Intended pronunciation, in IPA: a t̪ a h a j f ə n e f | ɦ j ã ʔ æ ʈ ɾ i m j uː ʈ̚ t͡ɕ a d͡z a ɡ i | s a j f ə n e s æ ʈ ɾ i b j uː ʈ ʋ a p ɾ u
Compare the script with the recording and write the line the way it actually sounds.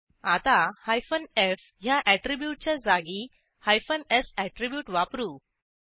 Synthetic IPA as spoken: a t̪ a h a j f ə n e f | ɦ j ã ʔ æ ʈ ɾ i b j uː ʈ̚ t͡ɕ a d͡z a ɡ i | h a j f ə n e s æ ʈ ɾ i b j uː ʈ ʋ a p ɾ u